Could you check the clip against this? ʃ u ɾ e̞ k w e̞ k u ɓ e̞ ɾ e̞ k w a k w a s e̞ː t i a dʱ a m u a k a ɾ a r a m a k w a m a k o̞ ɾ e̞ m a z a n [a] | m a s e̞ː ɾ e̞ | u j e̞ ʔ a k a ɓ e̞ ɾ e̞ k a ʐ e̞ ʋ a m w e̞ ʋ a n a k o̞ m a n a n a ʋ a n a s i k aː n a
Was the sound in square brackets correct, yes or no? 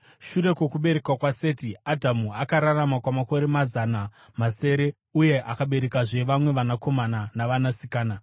yes